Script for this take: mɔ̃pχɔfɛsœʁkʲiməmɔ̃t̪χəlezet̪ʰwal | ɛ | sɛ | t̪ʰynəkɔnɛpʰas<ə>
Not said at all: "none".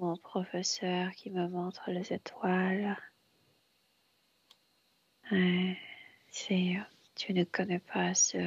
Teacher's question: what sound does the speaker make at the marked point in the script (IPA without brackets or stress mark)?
ə